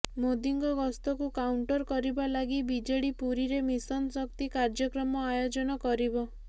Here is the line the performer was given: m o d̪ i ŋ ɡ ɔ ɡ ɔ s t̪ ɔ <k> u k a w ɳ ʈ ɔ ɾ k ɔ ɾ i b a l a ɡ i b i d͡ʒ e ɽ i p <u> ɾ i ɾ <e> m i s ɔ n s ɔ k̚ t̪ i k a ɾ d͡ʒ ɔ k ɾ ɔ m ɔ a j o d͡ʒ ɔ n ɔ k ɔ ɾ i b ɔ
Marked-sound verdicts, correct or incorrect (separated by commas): correct, correct, correct